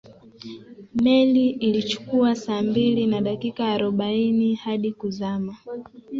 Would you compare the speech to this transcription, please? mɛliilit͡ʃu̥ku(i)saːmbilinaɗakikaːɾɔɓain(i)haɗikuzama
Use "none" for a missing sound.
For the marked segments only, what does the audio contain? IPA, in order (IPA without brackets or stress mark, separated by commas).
a, i